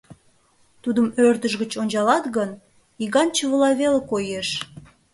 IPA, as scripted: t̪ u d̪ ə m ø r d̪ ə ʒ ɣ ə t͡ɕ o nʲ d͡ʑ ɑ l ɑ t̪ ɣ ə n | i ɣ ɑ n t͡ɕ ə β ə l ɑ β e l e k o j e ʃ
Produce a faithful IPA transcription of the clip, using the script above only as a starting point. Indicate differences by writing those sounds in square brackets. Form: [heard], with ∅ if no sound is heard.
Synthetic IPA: t̪ u d̪ ə m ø r d̪ ə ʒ ɣ ə t͡ɕ o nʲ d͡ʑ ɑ l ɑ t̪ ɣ ə n | i ɣ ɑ n t͡ɕ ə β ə l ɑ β e l e k o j e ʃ